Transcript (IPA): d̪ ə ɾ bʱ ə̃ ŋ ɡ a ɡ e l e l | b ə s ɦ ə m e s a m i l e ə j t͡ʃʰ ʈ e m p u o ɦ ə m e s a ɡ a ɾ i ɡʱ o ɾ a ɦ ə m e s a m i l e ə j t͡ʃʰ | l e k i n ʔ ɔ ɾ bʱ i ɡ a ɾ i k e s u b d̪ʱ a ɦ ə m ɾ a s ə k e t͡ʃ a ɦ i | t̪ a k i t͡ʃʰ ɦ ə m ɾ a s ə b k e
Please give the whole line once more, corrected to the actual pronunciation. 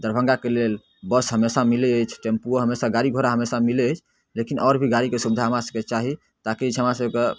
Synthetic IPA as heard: d̪ ə ɾ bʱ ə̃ ŋ ɡ a k e l e l | b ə s ɦ ə m e s a m i l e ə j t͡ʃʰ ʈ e m p u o ɦ ə m e s a ɡ a ɾ i ɡʱ o ɾ a ɦ ə m e s a m i l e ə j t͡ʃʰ | l e k i n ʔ ɔ ɾ bʱ i ɡ a ɾ i k e s u b d̪ʱ a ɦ ə m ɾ a s ə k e t͡ʃ a ɦ i | t̪ a k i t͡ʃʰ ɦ ə m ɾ a s ə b k e